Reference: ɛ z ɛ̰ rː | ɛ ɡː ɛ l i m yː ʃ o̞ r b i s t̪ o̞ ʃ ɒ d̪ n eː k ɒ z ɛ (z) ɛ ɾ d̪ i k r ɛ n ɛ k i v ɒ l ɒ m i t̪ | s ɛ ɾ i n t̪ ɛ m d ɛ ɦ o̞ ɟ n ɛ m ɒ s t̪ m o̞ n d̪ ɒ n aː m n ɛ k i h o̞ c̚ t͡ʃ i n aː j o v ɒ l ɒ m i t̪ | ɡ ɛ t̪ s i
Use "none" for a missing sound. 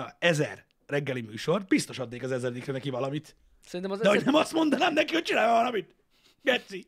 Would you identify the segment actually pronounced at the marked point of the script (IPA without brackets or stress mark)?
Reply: z